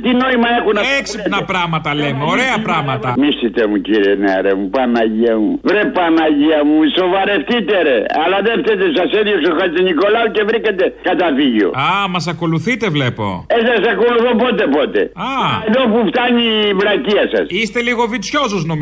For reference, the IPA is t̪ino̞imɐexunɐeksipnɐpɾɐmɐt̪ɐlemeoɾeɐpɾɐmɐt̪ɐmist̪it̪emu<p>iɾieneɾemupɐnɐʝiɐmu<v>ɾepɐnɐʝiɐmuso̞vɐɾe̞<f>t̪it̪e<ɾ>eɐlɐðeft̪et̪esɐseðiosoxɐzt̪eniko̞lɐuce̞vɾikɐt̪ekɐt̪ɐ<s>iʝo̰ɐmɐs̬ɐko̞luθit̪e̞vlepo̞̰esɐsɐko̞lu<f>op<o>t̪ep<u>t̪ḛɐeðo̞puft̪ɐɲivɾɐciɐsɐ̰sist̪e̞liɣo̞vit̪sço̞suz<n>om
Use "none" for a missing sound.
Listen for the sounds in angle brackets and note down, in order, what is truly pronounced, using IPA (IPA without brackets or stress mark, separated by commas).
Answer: c, v, f, ɾ, f, θ, o, o, n